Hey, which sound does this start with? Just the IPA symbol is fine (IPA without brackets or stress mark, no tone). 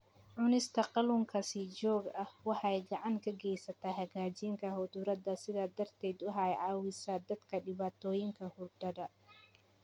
ʕ